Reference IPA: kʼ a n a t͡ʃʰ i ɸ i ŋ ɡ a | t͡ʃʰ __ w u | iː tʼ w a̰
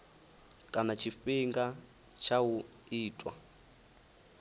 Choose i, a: a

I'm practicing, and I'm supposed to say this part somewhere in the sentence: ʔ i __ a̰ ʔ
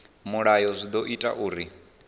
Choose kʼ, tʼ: tʼ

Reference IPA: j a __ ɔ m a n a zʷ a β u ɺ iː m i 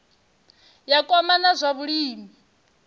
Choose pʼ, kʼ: kʼ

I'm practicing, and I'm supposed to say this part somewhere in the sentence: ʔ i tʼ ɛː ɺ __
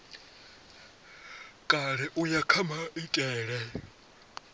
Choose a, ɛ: ɛ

